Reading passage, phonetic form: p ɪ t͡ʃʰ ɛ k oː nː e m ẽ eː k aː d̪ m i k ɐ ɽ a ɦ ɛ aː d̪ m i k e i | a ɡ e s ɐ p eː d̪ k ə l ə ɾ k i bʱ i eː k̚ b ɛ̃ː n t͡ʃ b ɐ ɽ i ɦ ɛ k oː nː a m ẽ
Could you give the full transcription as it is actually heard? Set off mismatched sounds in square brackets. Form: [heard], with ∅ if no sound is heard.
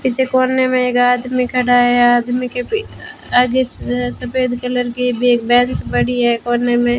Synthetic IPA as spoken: p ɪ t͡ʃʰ [e] k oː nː e m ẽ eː k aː d̪ m i k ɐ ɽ a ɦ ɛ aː d̪ m i k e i | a ɡ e s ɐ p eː d̪ k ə l ə ɾ k i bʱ i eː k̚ b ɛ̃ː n t͡ʃ b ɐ ɽ i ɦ ɛ k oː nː [e] m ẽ